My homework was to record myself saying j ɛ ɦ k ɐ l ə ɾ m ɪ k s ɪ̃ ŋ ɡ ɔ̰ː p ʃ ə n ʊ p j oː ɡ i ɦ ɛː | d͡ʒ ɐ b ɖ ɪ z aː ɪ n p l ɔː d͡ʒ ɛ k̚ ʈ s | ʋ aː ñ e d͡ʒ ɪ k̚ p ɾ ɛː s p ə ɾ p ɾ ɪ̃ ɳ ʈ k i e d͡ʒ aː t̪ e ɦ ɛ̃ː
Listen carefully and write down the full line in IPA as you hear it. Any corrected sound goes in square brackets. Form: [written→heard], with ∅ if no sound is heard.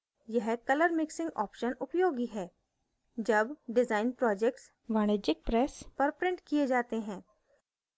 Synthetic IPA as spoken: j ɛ ɦ k ɐ l ə ɾ m ɪ k s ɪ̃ ŋ ɡ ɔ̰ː p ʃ ə n ʊ p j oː ɡ i ɦ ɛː | d͡ʒ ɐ b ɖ ɪ z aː ɪ n p [l→ɾ] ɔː d͡ʒ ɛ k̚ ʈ s | ʋ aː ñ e d͡ʒ ɪ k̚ p ɾ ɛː s p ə ɾ p ɾ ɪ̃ ɳ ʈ k i e d͡ʒ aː t̪ e ɦ ɛ̃ː